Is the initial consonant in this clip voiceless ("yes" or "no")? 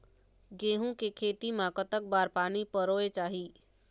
no